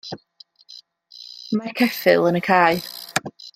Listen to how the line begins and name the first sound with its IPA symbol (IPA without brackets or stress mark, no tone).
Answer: m